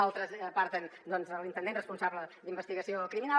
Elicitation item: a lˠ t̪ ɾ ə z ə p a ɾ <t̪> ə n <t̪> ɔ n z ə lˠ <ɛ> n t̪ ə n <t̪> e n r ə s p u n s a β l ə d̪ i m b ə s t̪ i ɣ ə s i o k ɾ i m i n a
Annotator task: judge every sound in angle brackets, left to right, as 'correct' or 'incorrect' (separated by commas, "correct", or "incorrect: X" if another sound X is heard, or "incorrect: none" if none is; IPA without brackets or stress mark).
correct, incorrect: d̪, incorrect: i, incorrect: d̪